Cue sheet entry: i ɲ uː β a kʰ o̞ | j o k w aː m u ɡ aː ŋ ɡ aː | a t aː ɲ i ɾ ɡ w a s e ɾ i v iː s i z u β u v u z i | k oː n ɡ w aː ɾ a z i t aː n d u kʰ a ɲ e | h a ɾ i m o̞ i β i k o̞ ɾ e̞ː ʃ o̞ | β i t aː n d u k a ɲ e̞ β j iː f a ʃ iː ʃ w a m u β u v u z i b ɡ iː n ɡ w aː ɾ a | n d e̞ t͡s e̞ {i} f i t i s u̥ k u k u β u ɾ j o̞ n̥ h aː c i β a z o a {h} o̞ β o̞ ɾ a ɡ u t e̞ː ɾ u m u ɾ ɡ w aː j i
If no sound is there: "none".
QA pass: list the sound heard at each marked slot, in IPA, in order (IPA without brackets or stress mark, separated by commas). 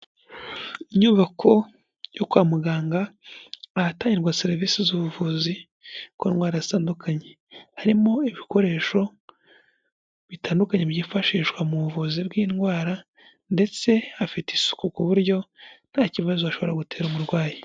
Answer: a, ʃ